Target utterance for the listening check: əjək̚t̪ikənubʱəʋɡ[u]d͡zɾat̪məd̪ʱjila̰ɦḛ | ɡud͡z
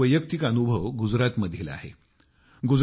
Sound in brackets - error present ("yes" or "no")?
no